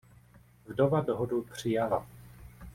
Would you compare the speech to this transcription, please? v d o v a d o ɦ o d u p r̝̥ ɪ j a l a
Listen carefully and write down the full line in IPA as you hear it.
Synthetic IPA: v d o v a d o ɦ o d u p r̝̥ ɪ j a l a